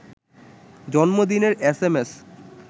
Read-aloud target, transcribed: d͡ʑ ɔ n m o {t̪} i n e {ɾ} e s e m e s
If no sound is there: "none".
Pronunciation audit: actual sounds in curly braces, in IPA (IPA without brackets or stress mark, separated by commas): d̪, ɾ